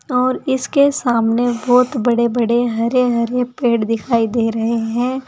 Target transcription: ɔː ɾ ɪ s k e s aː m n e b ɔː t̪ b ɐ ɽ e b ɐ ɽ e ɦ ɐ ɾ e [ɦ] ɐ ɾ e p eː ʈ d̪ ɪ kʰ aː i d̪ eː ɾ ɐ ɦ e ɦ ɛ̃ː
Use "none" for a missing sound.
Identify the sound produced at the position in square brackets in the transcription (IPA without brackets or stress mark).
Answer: ɦ